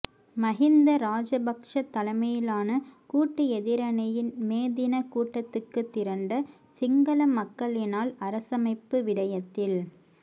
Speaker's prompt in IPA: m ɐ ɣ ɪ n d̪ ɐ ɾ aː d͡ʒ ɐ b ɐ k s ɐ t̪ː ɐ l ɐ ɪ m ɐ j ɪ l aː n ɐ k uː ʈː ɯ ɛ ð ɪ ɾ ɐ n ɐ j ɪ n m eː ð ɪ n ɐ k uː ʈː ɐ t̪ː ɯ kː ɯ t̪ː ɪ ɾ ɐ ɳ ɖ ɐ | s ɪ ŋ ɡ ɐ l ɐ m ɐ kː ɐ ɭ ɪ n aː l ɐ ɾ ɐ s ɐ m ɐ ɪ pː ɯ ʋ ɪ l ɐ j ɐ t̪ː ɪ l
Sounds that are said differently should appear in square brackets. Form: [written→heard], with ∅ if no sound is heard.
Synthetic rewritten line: m ɐ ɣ ɪ n d̪ ɐ ɾ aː d͡ʒ ɐ b ɐ k [s→ʂ] ɐ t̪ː ɐ l ɐ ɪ m ɐ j ɪ l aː n ɐ k uː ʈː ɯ ɛ ð ɪ ɾ ɐ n ɐ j ɪ n m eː ð ɪ n ɐ k uː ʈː ɐ t̪ː ɯ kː ɯ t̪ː ɪ ɾ ɐ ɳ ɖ ɐ | s ɪ ŋ ɡ ɐ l ɐ m ɐ kː ɐ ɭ ɪ n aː l ɐ ɾ ɐ s ɐ m ɐ ɪ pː ɯ ʋ ɪ [l→ɽ] ɐ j ɐ t̪ː ɪ l